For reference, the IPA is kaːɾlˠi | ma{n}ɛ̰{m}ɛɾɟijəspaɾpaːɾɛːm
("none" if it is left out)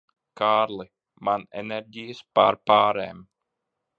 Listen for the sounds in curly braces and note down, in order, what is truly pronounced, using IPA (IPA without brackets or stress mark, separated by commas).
n, n